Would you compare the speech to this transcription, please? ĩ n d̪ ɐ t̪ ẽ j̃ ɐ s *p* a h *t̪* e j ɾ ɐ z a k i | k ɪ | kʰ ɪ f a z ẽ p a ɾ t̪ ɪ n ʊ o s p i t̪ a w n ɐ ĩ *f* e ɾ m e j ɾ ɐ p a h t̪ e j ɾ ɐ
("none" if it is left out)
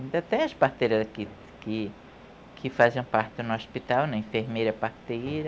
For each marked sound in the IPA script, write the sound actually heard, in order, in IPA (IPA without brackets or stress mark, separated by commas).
p, t̪, f